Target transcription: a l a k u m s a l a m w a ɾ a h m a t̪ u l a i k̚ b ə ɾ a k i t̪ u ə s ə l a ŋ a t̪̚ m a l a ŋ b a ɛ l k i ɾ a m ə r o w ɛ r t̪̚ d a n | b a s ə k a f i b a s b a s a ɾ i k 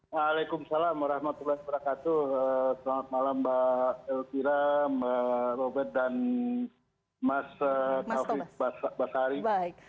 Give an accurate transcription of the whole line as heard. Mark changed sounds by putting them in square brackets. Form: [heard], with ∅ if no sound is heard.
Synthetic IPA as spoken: a l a k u m s a l a m w a ɾ a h m a t̪ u l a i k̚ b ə ɾ a k [a] t̪ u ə s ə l a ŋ a t̪̚ m a l a [m] b a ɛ l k i ɾ a m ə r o [b] ɛ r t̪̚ d a n | [m] a s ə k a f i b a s b a s a ɾ i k